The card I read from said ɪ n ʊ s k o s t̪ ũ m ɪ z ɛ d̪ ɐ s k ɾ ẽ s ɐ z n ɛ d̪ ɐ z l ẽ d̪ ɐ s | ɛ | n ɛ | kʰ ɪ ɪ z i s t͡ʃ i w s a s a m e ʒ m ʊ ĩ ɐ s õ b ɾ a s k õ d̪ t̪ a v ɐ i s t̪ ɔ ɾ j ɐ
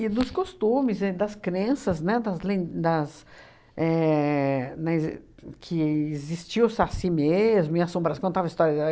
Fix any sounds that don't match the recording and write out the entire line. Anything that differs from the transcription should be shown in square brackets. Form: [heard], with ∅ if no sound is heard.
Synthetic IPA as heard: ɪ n ʊ s k o s t̪ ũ m ɪ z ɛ d̪ ɐ s k ɾ ẽ s ɐ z n ɛ d̪ ɐ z l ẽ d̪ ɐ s | ɛ | n ɛ | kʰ ɪ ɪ z i s t͡ʃ i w s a s [i] m e [z] m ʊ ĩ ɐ s õ b ɾ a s k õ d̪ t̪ a v ɐ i s t̪ ɔ ɾ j ɐ